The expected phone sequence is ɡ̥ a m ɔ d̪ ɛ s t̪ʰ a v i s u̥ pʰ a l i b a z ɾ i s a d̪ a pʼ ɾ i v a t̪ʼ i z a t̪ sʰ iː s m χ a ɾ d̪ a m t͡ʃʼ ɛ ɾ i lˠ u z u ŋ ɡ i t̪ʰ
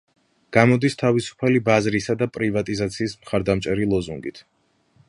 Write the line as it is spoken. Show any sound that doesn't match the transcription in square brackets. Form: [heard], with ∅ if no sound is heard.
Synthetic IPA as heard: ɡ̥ a m ɔ d̪ [i] s t̪ʰ a v i s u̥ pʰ a l i b a z ɾ i s a d̪ a pʼ ɾ i v a t̪ʼ i z a t̪ sʰ iː s m χ a ɾ d̪ a m t͡ʃʼ ɛ ɾ i lˠ [ɔ] z u ŋ ɡ i t̪ʰ

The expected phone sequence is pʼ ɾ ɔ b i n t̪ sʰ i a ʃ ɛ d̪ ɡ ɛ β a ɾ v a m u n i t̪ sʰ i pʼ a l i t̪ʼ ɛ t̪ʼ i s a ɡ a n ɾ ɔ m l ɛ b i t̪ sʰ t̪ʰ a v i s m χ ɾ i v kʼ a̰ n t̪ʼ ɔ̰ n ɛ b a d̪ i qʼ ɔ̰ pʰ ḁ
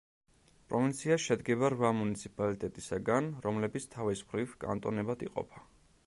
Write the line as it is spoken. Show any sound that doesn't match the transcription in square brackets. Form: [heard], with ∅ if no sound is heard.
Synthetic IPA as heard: pʼ ɾ ɔ [v] i n t̪ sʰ i a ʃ ɛ d̪ ɡ ɛ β a ɾ v a m u n i t̪ sʰ i pʼ a l i t̪ʼ ɛ t̪ʼ i s a ɡ a n ɾ ɔ m l ɛ b i t̪ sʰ t̪ʰ a v i s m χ ɾ i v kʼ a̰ n t̪ʼ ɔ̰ n ɛ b a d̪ i qʼ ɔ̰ pʰ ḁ

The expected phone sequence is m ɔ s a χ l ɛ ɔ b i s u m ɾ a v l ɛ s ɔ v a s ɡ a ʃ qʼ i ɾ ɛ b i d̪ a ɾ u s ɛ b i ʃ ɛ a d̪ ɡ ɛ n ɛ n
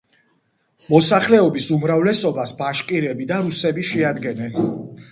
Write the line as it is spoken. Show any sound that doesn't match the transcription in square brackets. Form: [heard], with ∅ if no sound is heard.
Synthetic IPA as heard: m ɔ s a χ l ɛ ɔ b i s u m ɾ a v l ɛ s ɔ [b] a s [b] a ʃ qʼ i ɾ ɛ b i d̪ a ɾ u s ɛ b i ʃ ɛ a d̪ ɡ ɛ n ɛ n

